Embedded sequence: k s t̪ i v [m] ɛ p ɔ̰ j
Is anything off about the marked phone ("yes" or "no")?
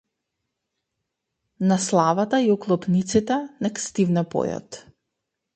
yes